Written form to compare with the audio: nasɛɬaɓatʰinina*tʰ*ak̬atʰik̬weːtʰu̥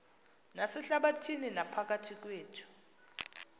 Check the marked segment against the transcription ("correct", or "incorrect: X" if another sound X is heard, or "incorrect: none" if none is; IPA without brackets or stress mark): incorrect: pʰ